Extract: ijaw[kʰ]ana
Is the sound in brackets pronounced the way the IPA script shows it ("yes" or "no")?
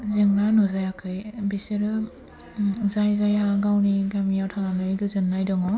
no